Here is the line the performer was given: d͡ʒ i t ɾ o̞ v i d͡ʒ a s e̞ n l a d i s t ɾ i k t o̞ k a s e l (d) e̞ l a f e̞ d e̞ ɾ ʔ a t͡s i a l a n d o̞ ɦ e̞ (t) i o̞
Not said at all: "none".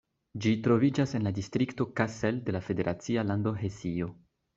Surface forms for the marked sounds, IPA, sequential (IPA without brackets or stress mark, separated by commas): d, s